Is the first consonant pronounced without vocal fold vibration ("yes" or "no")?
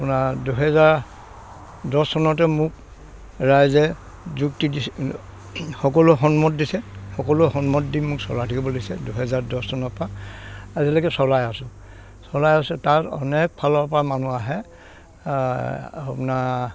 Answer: yes